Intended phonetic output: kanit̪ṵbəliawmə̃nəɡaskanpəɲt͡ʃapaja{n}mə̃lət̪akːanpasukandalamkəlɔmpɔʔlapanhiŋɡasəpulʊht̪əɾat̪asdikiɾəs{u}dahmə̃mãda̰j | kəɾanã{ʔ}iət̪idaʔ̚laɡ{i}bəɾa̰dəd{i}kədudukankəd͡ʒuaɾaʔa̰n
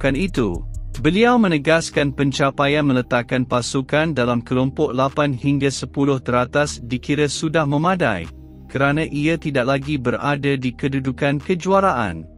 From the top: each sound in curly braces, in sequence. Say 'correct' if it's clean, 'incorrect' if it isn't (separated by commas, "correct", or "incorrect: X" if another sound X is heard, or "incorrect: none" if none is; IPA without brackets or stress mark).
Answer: correct, correct, correct, correct, correct